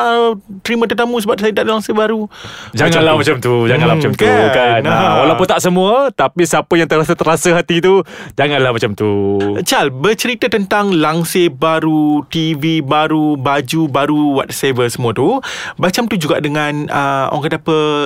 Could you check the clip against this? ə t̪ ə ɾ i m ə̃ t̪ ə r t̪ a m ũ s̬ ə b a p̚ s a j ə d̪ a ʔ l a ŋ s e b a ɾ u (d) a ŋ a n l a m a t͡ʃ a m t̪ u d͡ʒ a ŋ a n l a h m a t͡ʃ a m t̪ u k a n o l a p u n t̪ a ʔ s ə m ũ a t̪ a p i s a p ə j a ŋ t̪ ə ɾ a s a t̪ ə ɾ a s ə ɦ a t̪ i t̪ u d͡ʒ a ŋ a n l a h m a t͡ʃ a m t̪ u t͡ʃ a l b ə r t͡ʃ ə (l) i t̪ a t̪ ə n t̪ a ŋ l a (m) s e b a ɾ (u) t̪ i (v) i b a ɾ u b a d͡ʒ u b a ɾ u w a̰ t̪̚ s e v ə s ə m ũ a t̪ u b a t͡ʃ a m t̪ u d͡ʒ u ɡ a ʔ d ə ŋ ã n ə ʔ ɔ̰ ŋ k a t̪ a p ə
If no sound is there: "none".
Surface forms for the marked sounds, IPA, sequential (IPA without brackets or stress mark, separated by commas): d͡ʒ, ɾ, ŋ, u, v